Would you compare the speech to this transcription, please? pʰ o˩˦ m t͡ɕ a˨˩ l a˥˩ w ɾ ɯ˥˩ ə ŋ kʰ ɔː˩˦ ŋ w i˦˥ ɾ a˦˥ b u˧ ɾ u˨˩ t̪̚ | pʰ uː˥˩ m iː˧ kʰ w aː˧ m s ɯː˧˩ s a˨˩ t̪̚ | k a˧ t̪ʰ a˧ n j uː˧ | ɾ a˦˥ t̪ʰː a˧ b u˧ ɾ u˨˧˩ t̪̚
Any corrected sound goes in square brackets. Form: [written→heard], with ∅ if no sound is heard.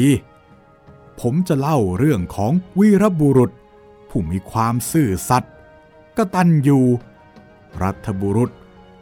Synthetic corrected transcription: pʰ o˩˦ m t͡ɕ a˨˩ l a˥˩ w ɾ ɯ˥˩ ə ŋ kʰ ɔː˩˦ ŋ w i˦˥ ɾ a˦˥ b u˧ ɾ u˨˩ t̪̚ | pʰ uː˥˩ m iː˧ kʰ w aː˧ m s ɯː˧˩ s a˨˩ t̪̚ | k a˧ [t̪ʰ→t̪] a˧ n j uː˧ | ɾ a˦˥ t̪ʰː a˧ b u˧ ɾ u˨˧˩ t̪̚